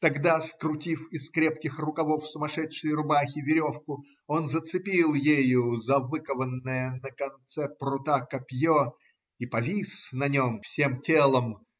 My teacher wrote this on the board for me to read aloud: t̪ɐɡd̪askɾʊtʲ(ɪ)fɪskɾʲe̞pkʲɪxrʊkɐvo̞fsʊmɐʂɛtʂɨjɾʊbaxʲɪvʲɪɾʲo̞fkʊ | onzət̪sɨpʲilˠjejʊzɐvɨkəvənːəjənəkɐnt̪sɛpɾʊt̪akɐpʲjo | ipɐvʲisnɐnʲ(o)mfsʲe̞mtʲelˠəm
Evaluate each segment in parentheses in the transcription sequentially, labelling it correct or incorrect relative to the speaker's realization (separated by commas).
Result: incorrect, correct